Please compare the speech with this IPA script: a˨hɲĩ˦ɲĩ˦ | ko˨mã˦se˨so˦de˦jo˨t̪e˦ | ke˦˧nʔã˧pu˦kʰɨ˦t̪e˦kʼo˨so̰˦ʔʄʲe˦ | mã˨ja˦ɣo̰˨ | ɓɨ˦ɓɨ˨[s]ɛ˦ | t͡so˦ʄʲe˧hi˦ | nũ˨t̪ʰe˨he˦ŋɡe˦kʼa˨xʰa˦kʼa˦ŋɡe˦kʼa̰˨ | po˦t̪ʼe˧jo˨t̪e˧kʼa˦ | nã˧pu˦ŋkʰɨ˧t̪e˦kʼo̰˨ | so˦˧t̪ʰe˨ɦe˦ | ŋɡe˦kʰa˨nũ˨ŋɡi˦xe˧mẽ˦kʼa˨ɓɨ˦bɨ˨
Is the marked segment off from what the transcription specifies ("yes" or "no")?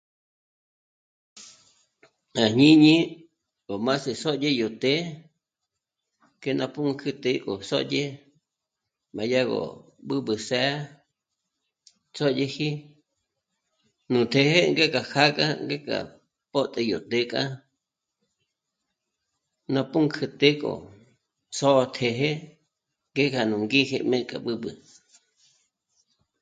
no